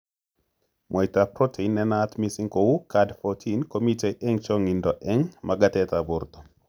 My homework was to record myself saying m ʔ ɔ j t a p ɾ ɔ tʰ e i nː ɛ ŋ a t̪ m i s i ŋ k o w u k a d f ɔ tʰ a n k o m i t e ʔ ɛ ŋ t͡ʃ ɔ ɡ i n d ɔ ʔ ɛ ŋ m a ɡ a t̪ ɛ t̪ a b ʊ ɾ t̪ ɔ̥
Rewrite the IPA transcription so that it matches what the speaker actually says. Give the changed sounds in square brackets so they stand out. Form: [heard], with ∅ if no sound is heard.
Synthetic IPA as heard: m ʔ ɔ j t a p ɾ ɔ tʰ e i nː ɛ [n] a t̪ m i s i ŋ k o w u k a d f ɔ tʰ [i] n k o m i t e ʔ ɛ ŋ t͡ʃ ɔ [ŋ] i n d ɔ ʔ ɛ ŋ m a ɡ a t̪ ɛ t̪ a b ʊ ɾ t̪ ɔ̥

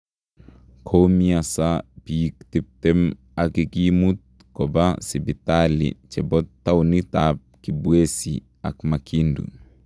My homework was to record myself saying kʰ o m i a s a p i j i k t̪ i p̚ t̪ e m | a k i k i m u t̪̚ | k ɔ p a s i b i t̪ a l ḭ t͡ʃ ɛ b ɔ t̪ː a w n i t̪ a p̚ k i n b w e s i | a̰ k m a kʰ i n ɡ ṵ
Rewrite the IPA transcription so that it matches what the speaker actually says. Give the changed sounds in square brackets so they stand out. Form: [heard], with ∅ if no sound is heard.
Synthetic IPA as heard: kʰ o m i a s a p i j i k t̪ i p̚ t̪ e m | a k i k i m u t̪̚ | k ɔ [b] a s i b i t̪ a l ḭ t͡ʃ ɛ b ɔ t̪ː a w n i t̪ a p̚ k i [∅] b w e s i | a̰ k m a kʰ i n [d] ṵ

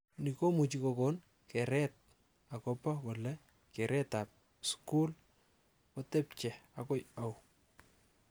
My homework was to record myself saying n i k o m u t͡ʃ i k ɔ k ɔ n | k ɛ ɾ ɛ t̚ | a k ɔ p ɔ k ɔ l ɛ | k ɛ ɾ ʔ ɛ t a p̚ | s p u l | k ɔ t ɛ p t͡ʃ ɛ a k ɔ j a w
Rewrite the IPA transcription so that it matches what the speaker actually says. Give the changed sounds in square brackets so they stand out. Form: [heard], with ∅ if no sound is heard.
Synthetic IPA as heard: n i k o m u t͡ʃ i k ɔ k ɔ n | k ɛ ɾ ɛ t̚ | a k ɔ p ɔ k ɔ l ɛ | k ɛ ɾ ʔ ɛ t a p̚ | s [k] u l | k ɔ t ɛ p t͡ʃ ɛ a k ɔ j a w

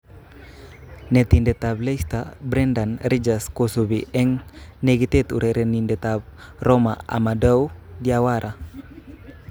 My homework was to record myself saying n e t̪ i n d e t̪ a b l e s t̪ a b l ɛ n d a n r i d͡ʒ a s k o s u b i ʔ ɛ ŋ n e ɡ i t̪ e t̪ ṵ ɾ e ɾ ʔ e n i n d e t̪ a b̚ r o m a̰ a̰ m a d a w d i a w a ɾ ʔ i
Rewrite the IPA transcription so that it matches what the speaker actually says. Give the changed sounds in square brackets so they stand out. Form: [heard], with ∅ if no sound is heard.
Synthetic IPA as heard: n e t̪ i n d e t̪ a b l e s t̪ a b [ɾ] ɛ n d a n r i d͡ʒ a s k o s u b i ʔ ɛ ŋ n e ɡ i t̪ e t̪ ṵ ɾ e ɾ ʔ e n i n d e t̪ a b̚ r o m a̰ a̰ m a d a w d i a w a ɾ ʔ [a]

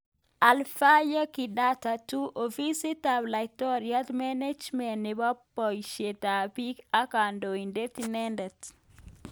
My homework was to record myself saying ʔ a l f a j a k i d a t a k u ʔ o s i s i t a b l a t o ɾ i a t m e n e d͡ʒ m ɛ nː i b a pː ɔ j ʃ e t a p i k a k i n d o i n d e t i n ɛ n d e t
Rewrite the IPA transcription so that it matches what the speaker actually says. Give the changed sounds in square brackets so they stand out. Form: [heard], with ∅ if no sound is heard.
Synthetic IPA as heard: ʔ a l f a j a k i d a t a [t] u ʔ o [f] i s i t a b l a t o ɾ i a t m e n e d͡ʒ m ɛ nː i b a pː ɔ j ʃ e t a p i k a k [a] n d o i n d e t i n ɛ n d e t

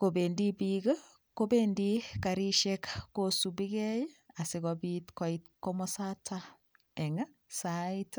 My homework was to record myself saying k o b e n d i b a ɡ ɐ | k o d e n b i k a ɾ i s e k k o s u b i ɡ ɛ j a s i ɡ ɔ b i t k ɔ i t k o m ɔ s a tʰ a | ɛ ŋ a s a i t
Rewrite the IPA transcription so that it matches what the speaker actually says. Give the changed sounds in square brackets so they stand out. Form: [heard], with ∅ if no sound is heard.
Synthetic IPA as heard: k o b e n d i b [i] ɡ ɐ | k o [b] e n [d] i k a ɾ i [ʃ] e k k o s u b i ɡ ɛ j a s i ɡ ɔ b i t k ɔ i t k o m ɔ s a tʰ a | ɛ ŋ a s a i t

